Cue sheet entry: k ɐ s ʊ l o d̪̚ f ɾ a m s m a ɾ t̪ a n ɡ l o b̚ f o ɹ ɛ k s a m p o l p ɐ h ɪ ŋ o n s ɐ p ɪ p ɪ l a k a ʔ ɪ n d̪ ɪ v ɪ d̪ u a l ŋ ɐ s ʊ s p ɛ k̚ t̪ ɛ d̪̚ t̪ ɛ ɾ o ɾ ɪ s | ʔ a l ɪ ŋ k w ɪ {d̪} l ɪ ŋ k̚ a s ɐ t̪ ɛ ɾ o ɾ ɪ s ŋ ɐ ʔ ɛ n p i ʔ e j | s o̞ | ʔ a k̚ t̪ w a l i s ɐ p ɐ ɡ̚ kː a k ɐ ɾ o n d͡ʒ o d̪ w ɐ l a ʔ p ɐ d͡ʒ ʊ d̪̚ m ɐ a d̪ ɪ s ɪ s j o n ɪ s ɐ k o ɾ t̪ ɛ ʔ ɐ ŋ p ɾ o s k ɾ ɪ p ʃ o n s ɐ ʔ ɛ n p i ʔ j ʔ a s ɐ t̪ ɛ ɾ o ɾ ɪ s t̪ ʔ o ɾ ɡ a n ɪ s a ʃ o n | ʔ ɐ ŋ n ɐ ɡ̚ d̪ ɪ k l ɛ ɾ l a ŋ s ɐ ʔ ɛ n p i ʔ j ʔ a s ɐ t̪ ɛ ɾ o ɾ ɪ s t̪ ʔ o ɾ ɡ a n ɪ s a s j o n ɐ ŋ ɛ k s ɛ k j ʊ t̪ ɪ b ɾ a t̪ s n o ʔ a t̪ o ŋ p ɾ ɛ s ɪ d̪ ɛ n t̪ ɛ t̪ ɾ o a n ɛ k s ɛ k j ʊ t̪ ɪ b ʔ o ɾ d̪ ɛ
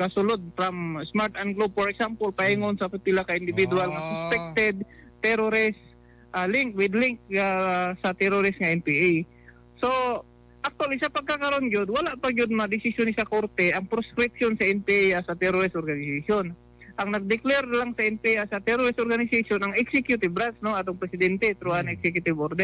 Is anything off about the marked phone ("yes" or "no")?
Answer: no